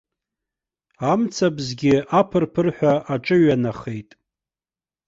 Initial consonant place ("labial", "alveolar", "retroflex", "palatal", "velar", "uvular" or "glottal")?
labial